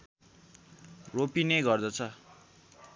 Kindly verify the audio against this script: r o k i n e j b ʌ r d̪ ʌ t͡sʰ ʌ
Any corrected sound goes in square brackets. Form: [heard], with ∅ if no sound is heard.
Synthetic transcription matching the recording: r o [p] i n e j [ɡ] ʌ r d̪ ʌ t͡sʰ ʌ